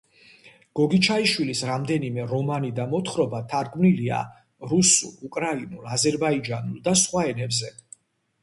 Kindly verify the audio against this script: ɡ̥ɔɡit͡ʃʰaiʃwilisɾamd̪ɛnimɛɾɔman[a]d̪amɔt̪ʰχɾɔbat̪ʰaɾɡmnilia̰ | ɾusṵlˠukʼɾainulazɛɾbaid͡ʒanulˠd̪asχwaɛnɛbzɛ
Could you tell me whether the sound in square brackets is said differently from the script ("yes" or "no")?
yes